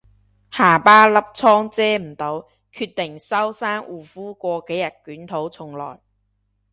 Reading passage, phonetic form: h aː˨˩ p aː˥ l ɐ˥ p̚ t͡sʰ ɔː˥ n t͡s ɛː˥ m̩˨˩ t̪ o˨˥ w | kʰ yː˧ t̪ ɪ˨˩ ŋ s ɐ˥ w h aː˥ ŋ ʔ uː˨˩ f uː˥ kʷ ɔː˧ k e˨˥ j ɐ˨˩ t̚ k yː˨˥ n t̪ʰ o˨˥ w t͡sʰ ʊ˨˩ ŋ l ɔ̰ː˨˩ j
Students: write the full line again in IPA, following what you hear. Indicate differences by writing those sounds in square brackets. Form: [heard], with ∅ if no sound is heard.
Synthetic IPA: h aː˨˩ p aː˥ l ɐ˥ p̚ t͡sʰ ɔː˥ [ŋ] t͡s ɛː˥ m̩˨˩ t̪ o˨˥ w | kʰ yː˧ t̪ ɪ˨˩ ŋ s ɐ˥ w [s] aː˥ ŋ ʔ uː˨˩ f uː˥ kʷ ɔː˧ k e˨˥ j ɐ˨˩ t̚ k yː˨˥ n t̪ʰ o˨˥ w t͡sʰ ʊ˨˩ ŋ l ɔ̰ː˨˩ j

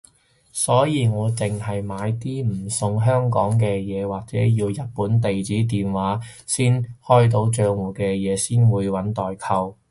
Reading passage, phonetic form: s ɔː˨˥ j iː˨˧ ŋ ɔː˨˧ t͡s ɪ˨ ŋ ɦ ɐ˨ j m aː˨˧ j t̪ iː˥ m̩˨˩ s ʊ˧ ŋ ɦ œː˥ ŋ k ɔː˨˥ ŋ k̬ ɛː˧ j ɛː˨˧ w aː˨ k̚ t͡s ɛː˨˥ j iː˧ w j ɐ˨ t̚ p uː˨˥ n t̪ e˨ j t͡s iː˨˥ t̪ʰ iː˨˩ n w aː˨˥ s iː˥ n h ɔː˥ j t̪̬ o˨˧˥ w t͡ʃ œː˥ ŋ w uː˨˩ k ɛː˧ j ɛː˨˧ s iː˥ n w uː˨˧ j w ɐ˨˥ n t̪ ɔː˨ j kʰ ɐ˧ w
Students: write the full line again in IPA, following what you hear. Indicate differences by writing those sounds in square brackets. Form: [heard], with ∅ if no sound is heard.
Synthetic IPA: s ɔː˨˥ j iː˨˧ ŋ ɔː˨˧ t͡s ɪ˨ ŋ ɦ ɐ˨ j m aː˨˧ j t̪ iː˥ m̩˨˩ s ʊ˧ ŋ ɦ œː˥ ŋ k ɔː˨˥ ŋ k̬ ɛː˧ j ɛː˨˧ w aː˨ k̚ t͡s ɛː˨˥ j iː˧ w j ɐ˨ t̚ p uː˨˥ n t̪ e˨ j t͡s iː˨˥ [t̪] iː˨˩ n w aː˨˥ s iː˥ n h ɔː˥ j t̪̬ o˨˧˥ w t͡ʃ [œː˧] ŋ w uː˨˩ k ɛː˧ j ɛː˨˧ s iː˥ n w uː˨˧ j w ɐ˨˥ n t̪ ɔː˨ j kʰ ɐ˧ w

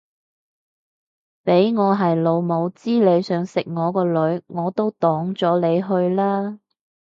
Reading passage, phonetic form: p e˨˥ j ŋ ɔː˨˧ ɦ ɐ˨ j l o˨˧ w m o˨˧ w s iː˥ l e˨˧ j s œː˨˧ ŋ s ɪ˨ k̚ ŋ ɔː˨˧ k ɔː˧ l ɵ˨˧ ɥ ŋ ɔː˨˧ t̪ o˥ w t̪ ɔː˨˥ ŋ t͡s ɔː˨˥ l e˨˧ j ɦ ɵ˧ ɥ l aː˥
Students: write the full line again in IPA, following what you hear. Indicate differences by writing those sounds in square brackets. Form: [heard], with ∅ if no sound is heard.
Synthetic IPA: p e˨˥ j ŋ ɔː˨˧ ɦ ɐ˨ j l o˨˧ w m o˨˧ w [t͡s] iː˥ l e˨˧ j s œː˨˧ ŋ s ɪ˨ k̚ ŋ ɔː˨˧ k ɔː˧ l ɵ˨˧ ɥ ŋ ɔː˨˧ t̪ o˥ w t̪ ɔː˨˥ ŋ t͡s ɔː˨˥ l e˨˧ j ɦ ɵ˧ ɥ l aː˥

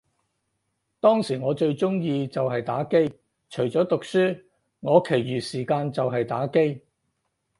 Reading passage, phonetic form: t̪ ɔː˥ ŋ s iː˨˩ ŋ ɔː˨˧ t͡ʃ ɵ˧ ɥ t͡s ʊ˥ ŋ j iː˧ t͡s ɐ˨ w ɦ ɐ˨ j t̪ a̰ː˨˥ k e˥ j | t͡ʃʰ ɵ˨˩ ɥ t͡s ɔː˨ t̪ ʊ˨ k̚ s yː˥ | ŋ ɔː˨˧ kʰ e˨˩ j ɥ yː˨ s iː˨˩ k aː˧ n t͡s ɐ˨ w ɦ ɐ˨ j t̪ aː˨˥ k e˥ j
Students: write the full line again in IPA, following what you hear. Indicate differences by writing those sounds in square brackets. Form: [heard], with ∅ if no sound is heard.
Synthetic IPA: t̪ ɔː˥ ŋ s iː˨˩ ŋ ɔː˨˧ t͡ʃ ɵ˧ ɥ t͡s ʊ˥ ŋ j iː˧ t͡s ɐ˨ w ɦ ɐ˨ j t̪ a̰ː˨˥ k e˥ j | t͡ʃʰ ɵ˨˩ ɥ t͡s [ɔː˨˥] t̪ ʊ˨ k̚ s yː˥ | ŋ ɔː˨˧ kʰ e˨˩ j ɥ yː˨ s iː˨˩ k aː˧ n t͡s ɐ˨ w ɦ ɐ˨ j t̪ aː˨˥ k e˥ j

